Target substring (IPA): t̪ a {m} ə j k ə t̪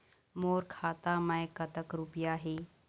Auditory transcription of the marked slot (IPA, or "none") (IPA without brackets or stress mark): m